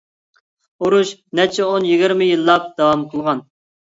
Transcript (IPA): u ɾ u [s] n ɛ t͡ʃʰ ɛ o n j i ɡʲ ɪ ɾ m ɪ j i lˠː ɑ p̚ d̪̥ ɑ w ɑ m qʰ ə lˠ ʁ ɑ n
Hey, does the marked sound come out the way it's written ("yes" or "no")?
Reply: no